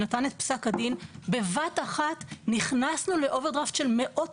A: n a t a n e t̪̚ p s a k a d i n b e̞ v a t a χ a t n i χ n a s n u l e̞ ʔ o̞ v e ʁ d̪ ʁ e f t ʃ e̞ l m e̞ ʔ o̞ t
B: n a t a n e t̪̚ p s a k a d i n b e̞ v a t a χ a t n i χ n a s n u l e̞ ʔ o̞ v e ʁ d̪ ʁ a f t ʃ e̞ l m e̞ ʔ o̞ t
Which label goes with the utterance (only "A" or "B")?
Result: B